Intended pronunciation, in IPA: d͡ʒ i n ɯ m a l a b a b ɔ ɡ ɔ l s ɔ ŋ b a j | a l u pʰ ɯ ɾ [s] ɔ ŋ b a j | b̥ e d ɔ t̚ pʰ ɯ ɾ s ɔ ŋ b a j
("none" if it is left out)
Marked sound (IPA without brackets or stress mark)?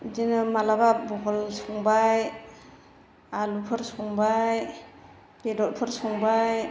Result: s